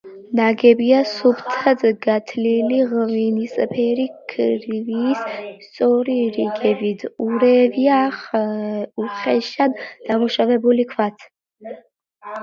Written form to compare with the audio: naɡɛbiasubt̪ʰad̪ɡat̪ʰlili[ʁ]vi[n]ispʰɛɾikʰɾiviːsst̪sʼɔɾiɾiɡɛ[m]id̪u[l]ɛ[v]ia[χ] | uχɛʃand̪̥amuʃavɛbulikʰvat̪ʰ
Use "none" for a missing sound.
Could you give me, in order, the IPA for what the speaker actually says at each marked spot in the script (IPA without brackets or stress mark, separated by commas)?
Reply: ʁ, n, b, ɾ, v, χ